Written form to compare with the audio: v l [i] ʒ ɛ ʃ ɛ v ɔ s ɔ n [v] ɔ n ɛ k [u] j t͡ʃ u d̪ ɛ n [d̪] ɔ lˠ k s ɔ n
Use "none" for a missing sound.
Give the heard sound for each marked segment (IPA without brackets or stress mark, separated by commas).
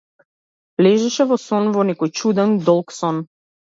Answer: ɛ, v, ɔ, d̪